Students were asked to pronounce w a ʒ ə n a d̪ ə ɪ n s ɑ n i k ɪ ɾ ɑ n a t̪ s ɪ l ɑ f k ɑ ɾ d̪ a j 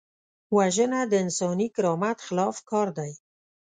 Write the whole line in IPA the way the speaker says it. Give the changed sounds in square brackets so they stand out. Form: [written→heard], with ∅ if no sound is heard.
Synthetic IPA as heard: w a ʒ ə n a d̪ ə ɪ n s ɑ n i k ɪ ɾ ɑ [n→m] a t̪ [s→x] ɪ l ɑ f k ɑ ɾ d̪ a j